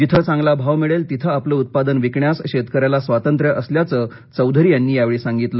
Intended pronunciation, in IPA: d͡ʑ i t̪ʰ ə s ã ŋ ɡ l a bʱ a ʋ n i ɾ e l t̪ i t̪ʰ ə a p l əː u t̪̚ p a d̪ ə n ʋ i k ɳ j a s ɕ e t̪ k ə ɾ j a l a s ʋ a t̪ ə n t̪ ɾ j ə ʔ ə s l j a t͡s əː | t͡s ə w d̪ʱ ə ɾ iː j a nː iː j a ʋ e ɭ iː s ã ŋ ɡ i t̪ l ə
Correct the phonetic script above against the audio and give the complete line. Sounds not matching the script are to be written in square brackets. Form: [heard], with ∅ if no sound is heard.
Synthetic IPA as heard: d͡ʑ i t̪ʰ ə [t͡s] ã ŋ ɡ l a bʱ a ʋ [m] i [ɭ] e l t̪ i t̪ʰ ə a p l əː u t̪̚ p a d̪ ə n ʋ i k ɳ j a s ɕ e t̪ k ə ɾ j a l a s ʋ a t̪ ə n t̪ ɾ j ə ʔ ə s l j a t͡s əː | t͡s ə w d̪ʱ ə ɾ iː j a nː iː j a ʋ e ɭ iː s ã ŋ ɡ i t̪ l ə